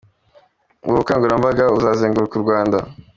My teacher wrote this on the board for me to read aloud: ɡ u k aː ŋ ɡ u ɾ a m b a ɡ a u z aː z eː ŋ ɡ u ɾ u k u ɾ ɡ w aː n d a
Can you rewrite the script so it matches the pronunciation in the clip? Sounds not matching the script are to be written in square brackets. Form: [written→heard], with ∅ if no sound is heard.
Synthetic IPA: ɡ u k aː ŋ ɡ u ɾ a m b a ɡ a u z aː z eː ŋ ɡ u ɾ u k u ɾ ɡ w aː n d a

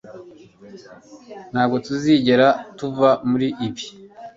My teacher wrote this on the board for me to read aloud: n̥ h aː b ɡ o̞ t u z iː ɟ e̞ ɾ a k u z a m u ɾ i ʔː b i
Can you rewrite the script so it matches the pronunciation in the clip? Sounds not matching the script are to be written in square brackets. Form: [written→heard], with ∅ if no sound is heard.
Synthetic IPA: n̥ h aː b ɡ o̞ t u z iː ɟ e̞ ɾ a [k→t] u [z→v] a m u ɾ i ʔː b i

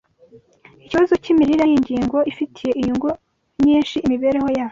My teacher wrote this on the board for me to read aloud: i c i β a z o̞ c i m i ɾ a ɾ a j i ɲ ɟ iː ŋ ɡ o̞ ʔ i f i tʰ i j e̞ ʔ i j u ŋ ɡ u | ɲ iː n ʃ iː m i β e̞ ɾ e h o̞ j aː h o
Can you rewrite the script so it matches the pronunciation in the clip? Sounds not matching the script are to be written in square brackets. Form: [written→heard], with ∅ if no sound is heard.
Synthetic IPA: i c i β a z o̞ c i m i ɾ [a→i] ɾ a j i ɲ ɟ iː ŋ ɡ o̞ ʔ i f i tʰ i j e̞ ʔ i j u ŋ ɡ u | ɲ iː n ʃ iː m i β e̞ ɾ e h o̞ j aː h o

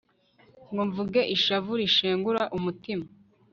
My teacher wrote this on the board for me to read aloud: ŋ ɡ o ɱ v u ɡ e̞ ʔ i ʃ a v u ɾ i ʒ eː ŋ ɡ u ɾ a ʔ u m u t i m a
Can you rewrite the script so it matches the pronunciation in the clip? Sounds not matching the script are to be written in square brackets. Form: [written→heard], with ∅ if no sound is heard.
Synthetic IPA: ŋ ɡ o ɱ v u ɡ e̞ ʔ i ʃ a v u ɾ i [ʒ→ʃ] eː ŋ ɡ u ɾ a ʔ u m u t i m a

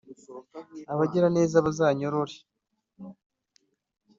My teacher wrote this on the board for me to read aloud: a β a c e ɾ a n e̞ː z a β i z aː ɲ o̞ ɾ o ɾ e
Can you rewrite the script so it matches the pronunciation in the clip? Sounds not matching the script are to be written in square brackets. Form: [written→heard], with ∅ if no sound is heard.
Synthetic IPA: a β a [c→ɟ] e ɾ a n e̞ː z a β [i→a] z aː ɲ o̞ ɾ o ɾ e

